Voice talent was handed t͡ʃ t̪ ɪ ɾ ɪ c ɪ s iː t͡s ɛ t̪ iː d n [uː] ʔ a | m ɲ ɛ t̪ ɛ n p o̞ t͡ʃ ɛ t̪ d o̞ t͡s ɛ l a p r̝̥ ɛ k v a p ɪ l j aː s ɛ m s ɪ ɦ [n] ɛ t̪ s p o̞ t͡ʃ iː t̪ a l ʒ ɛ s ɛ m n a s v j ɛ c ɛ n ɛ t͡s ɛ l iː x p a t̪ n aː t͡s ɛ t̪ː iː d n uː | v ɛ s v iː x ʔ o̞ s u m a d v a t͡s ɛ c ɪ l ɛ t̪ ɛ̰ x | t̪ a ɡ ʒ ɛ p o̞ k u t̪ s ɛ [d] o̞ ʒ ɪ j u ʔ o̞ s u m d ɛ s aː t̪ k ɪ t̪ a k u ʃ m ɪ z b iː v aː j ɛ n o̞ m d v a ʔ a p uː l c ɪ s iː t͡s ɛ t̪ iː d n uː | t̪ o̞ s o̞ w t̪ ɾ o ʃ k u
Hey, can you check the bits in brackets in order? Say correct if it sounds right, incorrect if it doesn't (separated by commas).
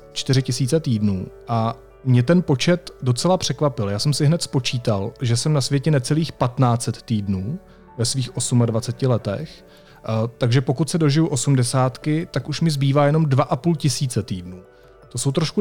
correct, correct, correct